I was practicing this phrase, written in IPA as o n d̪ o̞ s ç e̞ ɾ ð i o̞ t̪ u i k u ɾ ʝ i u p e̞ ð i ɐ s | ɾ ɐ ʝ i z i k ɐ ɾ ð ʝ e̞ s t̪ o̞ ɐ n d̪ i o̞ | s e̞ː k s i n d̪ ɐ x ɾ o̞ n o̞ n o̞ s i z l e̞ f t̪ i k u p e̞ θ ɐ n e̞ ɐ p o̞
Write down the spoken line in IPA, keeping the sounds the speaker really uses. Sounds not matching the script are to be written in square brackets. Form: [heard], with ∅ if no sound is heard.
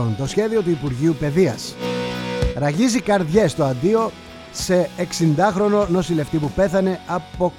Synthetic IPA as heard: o n [t̪] o̞ s ç e̞ [∅] ð i o̞ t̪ u i [p] u ɾ ʝ i u p e̞ ð i ɐ s | ɾ ɐ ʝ i z i k ɐ ɾ ð ʝ e̞ s t̪ o̞ ɐ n d̪ i o̞ | s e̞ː k s i n d̪ ɐ x ɾ o̞ n o̞ n o̞ s i [∅] l e̞ f t̪ i [p] u p e̞ θ ɐ n e̞ ɐ p o̞